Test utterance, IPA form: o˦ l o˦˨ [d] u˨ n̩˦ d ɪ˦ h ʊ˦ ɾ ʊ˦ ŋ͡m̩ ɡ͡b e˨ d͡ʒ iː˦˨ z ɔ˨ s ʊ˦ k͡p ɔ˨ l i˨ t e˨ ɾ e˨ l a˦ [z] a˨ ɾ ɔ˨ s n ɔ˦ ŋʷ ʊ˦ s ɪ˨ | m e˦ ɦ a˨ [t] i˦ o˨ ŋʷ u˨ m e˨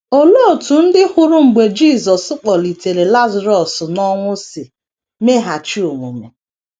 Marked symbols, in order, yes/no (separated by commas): no, yes, no